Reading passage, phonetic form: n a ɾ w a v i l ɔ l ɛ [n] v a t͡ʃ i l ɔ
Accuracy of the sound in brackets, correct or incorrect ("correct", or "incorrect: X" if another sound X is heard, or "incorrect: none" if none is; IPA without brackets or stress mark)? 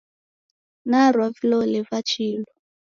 incorrect: none